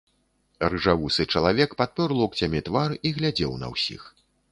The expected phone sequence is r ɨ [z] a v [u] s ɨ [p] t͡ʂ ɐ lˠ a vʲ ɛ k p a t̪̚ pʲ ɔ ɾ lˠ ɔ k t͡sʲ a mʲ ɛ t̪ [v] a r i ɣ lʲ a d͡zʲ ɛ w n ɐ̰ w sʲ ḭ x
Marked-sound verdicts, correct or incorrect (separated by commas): incorrect, correct, incorrect, correct